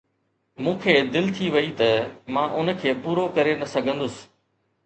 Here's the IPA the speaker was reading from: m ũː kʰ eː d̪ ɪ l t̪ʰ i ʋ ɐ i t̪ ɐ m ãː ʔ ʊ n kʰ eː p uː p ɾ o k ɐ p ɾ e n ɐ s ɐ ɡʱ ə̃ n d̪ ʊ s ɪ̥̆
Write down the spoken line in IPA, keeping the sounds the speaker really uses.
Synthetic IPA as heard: m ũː kʰ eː d̪ ɪ l t̪ʰ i ʋ ɐ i t̪ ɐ m ãː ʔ ʊ n kʰ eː p uː ɾ o k ɐ ɾ e n ɐ s ɐ ɡʱ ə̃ n d̪ ʊ s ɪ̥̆